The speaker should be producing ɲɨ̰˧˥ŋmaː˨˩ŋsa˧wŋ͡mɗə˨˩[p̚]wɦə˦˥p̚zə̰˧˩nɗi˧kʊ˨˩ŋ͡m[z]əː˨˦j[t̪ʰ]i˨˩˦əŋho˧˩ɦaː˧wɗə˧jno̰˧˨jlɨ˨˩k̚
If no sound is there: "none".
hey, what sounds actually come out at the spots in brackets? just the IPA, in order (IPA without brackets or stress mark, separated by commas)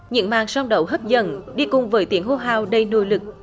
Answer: none, v, t̪